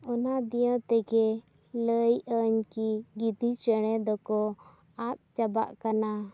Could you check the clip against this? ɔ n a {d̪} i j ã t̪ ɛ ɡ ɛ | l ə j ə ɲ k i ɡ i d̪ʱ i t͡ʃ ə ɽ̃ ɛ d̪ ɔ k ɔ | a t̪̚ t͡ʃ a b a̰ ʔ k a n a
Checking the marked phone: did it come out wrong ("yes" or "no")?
no